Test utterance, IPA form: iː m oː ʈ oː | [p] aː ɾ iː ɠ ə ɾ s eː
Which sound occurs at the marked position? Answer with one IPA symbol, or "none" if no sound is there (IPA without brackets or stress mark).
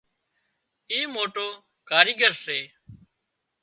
k